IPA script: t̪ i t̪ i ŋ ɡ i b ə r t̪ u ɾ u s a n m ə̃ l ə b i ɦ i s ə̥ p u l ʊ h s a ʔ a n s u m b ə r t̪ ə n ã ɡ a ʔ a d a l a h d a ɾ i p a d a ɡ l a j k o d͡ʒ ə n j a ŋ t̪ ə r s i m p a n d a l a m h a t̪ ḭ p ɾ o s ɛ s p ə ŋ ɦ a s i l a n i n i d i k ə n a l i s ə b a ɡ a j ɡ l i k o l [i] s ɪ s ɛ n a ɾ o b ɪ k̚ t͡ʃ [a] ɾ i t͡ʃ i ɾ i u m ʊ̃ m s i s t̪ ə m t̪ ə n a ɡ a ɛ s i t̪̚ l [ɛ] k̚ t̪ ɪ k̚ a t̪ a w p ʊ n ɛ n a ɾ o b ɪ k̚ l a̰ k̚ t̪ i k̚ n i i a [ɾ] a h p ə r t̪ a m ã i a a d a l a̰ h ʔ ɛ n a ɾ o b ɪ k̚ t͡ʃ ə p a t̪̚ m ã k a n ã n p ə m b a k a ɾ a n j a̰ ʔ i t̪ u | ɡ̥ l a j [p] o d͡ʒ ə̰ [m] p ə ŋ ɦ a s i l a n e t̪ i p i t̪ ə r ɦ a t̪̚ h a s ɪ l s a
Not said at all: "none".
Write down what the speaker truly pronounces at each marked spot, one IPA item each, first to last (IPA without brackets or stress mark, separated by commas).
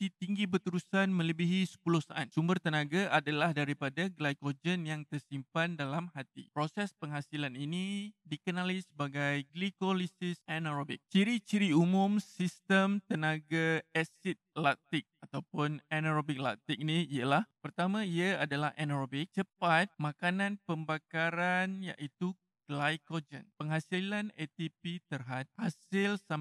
i, i, a, l, k, n